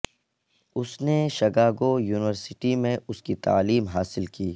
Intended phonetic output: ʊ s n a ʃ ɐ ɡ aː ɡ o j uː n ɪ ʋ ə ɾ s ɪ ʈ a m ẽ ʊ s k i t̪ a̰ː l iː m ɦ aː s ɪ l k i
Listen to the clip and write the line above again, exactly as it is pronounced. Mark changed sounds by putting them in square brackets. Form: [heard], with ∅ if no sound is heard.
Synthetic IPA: ʊ s n [e] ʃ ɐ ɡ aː ɡ o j uː n ɪ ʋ ə ɾ s ɪ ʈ [i] m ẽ ʊ s k i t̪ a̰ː l iː m ɦ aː s ɪ l k [iː]